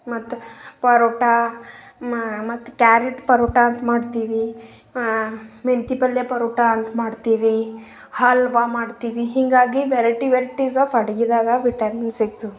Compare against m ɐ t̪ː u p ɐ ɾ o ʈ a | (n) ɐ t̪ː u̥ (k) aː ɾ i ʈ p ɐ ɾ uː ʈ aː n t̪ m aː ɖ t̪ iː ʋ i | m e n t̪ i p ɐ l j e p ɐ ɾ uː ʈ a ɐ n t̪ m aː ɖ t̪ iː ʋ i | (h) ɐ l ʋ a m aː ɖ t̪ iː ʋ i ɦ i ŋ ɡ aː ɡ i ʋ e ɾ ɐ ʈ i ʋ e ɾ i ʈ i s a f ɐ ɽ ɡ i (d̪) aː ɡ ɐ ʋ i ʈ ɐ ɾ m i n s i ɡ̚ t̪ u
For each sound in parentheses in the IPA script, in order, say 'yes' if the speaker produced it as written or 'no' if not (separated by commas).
no, yes, yes, yes